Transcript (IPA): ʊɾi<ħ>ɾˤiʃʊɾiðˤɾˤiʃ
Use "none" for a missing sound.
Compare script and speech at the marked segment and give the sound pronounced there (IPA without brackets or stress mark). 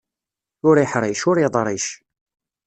ħ